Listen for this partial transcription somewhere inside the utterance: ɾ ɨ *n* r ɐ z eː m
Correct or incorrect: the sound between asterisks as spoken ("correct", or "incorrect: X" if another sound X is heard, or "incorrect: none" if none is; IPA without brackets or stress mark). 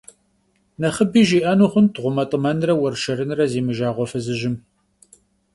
correct